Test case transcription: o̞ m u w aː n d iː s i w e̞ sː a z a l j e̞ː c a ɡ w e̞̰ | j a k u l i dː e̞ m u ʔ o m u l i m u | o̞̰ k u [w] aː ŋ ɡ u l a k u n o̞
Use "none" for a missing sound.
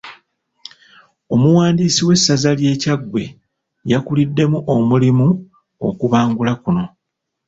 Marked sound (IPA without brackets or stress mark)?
β